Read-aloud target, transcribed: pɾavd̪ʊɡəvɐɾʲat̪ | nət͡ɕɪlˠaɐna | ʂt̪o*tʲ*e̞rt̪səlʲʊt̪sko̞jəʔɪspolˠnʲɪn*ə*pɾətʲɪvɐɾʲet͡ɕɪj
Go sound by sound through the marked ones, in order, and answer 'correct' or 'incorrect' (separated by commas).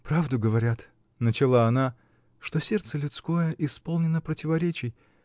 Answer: incorrect, correct